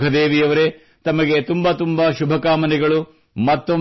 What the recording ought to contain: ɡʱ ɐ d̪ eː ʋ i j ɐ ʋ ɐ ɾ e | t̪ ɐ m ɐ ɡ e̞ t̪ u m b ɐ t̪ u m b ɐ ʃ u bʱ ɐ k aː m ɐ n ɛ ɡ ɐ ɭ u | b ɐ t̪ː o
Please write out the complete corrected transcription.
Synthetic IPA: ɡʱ ɐ d̪ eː ʋ i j ɐ ʋ ɐ ɾ e | t̪ ɐ m ɐ ɡ e̞ t̪ u m b ɐ t̪ u m b ɐ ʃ u bʱ ɐ k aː m ɐ n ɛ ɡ ɐ ɭ u | m ɐ t̪ː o